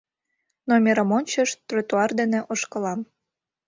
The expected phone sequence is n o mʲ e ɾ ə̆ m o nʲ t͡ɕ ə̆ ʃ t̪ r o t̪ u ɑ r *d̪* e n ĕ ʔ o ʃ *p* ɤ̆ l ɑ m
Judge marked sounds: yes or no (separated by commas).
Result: yes, no